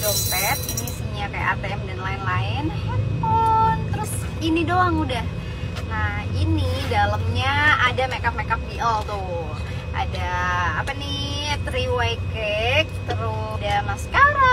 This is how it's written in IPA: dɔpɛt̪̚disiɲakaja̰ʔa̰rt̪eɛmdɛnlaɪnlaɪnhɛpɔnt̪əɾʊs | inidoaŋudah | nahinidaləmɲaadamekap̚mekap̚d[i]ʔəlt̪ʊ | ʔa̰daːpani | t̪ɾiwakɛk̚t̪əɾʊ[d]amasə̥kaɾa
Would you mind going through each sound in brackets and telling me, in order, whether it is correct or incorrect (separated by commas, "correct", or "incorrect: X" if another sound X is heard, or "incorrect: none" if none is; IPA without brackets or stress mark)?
correct, correct